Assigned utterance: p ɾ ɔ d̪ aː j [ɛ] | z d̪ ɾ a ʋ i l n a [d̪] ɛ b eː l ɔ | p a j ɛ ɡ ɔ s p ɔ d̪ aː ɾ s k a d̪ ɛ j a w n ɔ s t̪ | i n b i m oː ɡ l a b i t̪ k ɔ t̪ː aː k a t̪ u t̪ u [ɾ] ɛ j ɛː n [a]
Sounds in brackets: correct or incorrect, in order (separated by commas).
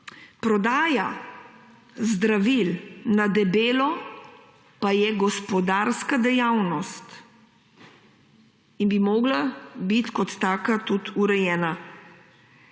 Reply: incorrect, correct, correct, correct